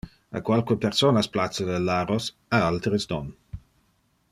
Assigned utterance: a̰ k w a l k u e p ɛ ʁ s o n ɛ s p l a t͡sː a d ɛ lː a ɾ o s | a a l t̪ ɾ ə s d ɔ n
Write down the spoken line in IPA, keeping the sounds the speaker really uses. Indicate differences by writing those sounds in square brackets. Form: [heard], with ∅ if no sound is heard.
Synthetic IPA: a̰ k w a l k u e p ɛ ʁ s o n [a] s p l a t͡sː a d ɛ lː a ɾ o s | a a l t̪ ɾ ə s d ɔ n